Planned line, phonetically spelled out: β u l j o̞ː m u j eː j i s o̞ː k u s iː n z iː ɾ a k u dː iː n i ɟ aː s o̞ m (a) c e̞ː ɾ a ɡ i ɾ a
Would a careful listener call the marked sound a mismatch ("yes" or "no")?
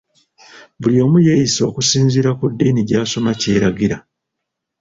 no